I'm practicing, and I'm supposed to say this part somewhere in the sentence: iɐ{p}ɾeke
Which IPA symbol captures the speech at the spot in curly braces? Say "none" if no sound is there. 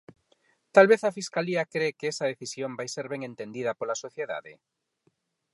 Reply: k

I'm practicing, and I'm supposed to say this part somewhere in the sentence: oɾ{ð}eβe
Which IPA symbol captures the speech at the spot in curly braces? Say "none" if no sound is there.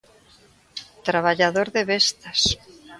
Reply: ð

